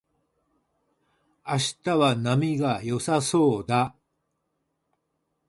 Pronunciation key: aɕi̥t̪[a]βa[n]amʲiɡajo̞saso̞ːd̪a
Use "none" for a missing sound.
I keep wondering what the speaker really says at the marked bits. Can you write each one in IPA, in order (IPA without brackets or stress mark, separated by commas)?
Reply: a, n